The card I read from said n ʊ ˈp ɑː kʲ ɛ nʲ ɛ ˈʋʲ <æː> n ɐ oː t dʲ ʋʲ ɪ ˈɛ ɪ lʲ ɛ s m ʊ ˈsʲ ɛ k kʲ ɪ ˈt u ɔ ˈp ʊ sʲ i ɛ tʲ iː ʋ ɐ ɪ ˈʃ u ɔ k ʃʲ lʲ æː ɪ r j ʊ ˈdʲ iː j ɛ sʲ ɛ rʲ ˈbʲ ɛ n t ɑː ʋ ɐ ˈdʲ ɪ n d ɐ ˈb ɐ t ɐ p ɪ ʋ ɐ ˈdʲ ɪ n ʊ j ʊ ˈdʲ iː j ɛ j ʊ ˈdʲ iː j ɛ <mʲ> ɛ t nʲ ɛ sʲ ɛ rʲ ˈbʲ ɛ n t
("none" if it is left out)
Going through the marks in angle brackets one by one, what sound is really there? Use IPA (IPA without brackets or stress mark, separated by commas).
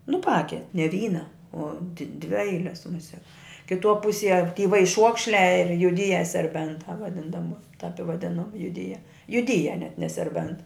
iː, nʲ